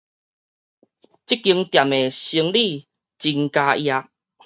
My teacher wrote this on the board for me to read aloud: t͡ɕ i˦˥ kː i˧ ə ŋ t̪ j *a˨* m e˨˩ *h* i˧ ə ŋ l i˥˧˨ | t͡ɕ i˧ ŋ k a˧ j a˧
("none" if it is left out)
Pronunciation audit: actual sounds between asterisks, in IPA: a˨, ɕ

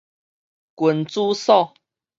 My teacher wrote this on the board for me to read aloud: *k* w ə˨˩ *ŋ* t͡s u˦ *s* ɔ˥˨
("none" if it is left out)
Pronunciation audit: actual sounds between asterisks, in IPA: k, n, s

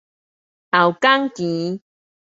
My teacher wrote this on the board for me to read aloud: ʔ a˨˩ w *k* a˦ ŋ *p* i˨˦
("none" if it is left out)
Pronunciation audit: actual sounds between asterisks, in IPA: k, k

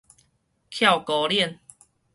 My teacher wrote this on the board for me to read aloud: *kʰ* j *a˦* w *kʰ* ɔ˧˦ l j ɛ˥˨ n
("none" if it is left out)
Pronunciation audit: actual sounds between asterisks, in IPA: kʰ, a˥˨, k

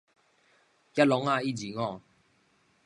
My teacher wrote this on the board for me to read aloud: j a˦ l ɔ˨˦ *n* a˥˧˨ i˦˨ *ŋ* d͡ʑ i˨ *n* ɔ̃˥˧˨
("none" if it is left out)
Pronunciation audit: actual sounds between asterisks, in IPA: ŋ, none, ŋ

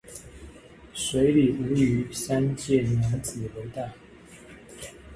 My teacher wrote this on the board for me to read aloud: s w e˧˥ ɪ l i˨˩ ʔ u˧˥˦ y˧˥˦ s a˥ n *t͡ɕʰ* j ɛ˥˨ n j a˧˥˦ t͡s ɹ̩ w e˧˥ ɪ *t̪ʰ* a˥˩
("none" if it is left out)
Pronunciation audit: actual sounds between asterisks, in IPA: t͡ɕ, t̪

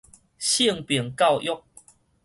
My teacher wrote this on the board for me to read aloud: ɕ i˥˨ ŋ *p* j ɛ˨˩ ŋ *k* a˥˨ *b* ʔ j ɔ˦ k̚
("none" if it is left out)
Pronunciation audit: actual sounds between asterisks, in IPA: p, k, w

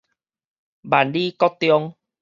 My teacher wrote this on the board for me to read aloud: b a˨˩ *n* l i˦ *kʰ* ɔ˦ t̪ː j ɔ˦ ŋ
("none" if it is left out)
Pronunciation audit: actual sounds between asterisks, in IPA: n, k

